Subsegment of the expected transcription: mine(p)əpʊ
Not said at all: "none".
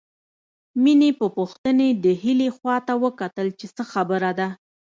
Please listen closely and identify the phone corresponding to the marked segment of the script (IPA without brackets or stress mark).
p